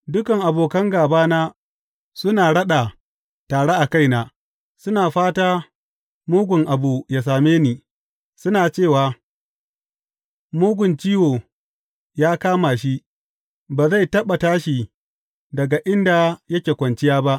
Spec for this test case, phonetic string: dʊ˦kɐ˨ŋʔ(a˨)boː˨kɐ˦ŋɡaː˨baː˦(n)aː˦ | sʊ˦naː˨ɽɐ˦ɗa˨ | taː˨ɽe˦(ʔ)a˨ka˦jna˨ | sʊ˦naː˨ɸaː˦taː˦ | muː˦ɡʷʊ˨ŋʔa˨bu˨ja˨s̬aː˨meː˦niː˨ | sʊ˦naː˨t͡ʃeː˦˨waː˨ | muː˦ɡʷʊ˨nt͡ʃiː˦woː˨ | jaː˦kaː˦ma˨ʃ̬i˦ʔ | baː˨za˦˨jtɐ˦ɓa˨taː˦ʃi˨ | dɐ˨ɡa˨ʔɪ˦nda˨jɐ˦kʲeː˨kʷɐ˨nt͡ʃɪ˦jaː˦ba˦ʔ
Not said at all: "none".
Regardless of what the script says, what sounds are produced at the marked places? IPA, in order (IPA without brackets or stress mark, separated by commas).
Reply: a˨, n, ʔ